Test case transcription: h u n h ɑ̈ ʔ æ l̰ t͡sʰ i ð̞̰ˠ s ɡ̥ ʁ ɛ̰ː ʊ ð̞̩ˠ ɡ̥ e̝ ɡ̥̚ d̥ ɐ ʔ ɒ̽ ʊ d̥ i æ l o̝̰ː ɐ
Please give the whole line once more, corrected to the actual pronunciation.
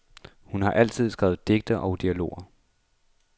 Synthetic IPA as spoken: h u n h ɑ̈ ʔ æ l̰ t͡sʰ i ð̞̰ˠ s ɡ̥ ʁ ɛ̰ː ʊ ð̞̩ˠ d̥ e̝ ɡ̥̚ d̥ ɐ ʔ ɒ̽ ʊ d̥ i æ l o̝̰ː ɐ